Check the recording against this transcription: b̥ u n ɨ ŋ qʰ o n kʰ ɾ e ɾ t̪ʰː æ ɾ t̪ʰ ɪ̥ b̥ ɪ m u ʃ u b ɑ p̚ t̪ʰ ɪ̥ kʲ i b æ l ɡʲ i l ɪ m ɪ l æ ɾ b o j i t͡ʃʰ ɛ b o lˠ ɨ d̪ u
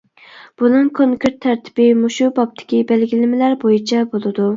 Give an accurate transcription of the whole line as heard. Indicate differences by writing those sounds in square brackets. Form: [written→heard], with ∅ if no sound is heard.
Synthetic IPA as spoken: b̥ u n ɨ ŋ [qʰ→kʰ] o [n→ŋ] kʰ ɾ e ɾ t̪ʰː æ ɾ t̪ʰ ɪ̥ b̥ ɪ m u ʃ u b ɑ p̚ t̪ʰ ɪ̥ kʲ i b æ l ɡʲ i l ɪ m ɪ l æ ɾ b o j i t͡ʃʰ ɛ b o lˠ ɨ d̪ u